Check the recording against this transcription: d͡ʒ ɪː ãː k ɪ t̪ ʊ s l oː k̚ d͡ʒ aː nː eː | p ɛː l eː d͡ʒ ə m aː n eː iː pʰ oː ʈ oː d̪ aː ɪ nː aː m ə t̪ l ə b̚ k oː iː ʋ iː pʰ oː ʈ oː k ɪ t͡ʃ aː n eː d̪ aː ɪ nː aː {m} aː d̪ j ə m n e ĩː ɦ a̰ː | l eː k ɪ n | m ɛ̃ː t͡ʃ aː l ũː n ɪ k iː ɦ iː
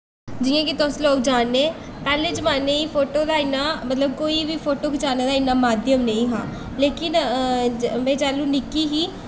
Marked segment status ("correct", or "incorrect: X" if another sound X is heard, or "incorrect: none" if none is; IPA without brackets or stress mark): correct